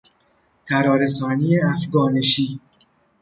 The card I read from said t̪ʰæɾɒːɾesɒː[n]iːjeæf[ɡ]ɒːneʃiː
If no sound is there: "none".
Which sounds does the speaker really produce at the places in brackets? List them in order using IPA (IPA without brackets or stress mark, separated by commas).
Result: n, ɡ